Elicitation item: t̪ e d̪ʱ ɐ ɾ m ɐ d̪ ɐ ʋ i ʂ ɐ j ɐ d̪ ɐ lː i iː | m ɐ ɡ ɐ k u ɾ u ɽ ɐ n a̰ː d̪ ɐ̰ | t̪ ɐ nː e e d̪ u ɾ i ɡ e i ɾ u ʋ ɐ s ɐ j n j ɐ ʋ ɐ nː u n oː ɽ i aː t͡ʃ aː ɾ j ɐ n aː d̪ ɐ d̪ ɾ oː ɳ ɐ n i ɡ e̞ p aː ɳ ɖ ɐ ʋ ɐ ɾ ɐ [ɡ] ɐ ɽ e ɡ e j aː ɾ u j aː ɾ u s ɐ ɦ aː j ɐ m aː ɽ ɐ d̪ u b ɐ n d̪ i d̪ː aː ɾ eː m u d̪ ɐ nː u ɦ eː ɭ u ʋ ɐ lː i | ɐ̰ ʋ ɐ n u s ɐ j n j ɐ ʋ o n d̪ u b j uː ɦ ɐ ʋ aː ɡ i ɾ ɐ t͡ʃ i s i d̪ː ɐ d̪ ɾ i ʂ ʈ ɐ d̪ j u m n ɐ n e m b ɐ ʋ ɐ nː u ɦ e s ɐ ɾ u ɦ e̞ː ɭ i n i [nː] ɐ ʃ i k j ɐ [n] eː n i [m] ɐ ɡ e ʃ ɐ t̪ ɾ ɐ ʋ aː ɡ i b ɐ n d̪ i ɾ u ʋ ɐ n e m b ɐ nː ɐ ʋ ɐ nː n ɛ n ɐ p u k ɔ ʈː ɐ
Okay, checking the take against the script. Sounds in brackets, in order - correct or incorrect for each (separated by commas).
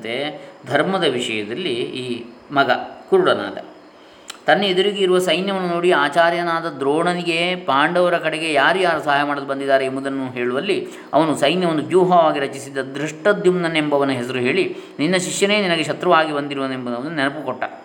incorrect, correct, correct, incorrect